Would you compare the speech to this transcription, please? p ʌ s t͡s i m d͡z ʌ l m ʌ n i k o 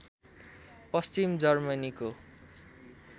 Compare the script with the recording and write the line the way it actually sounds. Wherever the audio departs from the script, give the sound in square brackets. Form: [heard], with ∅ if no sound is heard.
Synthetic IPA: p ʌ s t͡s i m d͡z ʌ [r] m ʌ n i k o